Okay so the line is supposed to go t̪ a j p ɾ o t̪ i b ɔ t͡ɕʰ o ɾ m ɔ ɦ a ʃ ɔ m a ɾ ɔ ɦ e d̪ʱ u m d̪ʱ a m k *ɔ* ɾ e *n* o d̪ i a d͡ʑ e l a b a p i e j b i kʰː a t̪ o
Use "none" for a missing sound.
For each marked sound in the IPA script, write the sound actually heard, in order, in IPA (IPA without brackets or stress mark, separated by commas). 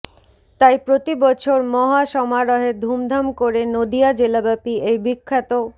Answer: o, n